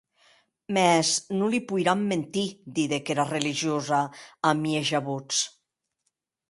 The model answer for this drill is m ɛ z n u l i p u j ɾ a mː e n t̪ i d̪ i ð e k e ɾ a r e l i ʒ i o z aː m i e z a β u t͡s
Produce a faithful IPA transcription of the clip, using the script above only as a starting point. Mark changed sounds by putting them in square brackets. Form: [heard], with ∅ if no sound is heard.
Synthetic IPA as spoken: m ɛ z n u l i p u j ɾ a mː e n t̪ i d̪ i ð e k e ɾ a r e l i ʒ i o z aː m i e [ʒ] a β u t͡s